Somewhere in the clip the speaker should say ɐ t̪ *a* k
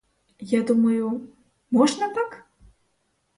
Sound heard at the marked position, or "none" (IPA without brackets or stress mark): a